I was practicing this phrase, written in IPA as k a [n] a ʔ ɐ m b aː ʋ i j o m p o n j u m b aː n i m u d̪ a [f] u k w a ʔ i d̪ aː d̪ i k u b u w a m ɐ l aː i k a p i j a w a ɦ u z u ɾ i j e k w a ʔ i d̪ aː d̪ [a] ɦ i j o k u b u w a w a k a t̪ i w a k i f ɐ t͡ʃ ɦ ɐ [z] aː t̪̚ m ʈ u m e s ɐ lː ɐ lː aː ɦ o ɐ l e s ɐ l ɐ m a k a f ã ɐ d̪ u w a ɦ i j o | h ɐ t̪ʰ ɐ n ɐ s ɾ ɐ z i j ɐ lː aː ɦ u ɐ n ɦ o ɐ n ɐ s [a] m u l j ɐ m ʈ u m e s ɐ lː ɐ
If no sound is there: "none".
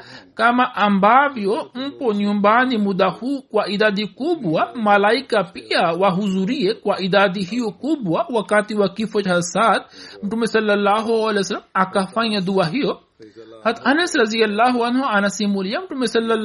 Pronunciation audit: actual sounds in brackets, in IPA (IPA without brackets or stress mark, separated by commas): m, h, i, s, i